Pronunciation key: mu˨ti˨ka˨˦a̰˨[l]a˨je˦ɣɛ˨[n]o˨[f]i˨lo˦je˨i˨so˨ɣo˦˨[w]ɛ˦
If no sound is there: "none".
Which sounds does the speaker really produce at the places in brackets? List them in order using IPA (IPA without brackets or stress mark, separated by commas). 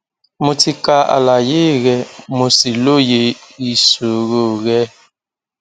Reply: l, m, s, ɣ